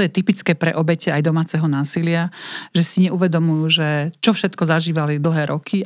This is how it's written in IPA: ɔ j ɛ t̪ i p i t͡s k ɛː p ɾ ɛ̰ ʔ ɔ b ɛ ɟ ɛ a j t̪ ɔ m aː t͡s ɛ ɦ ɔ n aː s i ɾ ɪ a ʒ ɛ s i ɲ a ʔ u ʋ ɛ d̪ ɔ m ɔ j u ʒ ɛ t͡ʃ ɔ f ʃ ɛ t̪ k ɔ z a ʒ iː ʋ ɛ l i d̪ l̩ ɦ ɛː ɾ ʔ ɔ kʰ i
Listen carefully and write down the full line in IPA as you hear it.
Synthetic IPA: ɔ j ɛ t̪ i p i t͡s k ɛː p ɾ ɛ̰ ʔ ɔ b ɛ c ɛ a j d̪ ɔ m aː t͡s ɛ ɦ ɔ n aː s i l ɪ a ʒ ɛ s i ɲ ɛ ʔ u ʋ ɛ d̪ ɔ m u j u ʒ ɛ t͡ʃ ɔ f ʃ ɛ t̪ k ɔ z a ʒ iː ʋ a l i d̪ l̩ ɦ ɛː ɾ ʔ ɔ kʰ i